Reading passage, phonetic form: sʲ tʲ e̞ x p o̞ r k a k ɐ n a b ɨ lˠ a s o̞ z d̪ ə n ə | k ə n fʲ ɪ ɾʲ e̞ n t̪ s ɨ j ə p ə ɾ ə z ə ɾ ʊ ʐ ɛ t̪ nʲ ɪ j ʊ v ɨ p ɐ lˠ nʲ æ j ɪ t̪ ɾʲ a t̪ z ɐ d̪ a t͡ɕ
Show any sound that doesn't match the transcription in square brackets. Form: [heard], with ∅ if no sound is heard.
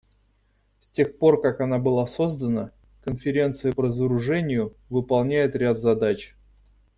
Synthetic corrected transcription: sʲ tʲ e̞ x p o̞ r k a k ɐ n a b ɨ lˠ a s o̞ z d̪ ə n ə | k ə n fʲ ɪ ɾʲ e̞ n t̪ s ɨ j ə p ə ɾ ə z ə ɾ ʊ ʐ ɛ [∅] nʲ ɪ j ʊ v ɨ p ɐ lˠ nʲ æ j ɪ t̪ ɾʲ a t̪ z ɐ d̪ a t͡ɕ